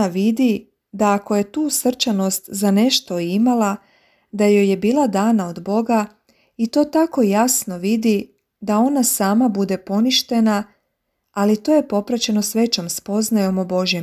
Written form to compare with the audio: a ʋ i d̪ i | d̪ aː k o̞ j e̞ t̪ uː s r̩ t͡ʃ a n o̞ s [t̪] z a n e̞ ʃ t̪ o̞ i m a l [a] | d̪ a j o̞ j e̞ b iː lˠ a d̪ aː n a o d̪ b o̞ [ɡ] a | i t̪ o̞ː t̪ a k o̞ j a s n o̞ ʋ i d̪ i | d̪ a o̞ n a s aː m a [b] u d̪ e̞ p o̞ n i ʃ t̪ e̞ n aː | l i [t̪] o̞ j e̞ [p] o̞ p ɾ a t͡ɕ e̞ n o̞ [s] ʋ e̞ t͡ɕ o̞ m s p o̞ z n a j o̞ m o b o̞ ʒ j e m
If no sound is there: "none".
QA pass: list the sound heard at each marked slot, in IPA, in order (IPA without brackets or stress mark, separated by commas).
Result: t̪, a, ɡ, b, t̪, p, s